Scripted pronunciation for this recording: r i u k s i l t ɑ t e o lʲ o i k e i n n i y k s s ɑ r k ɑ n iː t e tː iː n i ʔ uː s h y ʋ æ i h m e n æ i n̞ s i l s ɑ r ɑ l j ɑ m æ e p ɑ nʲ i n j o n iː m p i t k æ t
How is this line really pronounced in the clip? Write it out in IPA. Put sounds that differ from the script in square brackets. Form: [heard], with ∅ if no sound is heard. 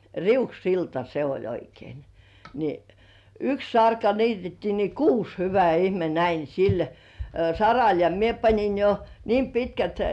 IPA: r i u k s i l t ɑ [s] e o lʲ o i k e i n n i y k s s ɑ r k ɑ n iː t e tː iː n i [k] uː s h y ʋ æ i h m e n æ i n̞ s i l s ɑ r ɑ l j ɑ m [i] e p ɑ nʲ i n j o n iː m p i t k æ t